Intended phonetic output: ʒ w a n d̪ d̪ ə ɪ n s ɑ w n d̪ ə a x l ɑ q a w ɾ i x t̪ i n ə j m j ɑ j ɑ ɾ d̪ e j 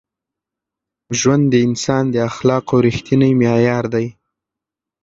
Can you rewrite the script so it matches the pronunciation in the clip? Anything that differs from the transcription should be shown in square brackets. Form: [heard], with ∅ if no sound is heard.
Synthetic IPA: ʒ w a n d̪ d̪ ə ɪ n s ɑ [∅] n d̪ ə a x l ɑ q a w ɾ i x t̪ i n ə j m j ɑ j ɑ ɾ d̪ [a] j